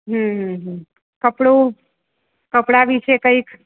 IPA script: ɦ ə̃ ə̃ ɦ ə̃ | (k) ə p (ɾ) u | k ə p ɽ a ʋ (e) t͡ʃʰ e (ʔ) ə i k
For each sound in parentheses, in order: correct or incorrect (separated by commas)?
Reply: correct, incorrect, incorrect, incorrect